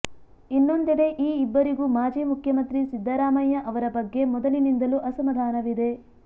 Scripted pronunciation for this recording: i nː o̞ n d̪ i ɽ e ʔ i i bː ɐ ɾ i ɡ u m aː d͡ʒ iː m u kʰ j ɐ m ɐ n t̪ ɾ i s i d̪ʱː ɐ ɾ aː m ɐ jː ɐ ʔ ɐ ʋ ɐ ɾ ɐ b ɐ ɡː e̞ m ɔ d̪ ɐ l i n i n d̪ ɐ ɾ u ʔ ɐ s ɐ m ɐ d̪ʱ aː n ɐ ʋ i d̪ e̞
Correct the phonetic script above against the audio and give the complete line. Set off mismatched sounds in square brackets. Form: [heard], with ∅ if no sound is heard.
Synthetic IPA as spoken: i nː o̞ n d̪ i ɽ e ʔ [iː] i bː ɐ ɾ i ɡ u m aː d͡ʒ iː m u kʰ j ɐ m ɐ n t̪ ɾ i s i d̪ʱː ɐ ɾ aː m ɐ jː ɐ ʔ ɐ ʋ ɐ ɾ ɐ b ɐ ɡː e̞ m ɔ d̪ ɐ l i n i n d̪ ɐ [l] u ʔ ɐ s ɐ m ɐ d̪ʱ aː n ɐ ʋ i d̪ e̞